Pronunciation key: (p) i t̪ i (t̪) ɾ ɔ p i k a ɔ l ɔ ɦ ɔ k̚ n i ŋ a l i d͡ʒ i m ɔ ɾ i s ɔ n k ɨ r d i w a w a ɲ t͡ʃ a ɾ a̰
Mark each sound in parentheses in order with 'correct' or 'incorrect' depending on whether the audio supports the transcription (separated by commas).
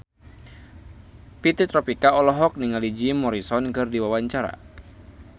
correct, correct